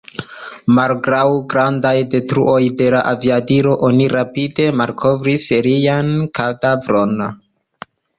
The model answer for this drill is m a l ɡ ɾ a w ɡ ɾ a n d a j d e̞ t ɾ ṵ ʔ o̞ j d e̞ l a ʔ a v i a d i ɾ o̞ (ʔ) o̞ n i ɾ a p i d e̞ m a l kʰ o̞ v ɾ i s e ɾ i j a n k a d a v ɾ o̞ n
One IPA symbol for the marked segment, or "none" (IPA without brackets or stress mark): ʔ